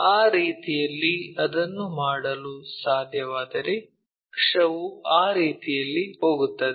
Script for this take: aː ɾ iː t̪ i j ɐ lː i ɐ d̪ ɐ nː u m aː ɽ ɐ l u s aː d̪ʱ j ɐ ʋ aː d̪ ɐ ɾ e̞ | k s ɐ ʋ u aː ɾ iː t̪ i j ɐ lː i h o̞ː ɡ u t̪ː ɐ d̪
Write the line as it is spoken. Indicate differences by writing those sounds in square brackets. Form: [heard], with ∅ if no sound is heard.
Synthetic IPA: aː ɾ iː t̪ i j ɐ lː i ɐ d̪ ɐ nː u m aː ɽ ɐ l u s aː d̪ʱ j ɐ ʋ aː d̪ ɐ ɾ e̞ | k [ʂ] ɐ ʋ u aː ɾ iː t̪ i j ɐ lː i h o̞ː ɡ u t̪ː ɐ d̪